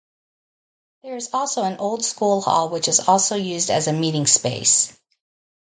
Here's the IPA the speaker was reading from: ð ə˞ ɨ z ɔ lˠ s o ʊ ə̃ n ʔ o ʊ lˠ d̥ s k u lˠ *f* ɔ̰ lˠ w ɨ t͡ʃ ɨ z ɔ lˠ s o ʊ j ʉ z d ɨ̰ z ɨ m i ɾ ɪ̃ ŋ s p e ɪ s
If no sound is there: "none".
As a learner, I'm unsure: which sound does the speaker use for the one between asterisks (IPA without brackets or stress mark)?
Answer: h